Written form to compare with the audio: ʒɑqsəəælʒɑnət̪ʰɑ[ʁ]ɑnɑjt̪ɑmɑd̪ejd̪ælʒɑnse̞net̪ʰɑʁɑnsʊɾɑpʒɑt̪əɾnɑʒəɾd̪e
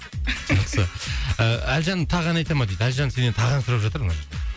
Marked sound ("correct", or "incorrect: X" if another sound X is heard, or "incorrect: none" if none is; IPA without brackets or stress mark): correct